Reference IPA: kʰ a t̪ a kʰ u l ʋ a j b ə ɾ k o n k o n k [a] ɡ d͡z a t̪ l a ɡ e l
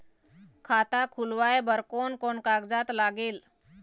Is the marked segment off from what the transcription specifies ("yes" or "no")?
no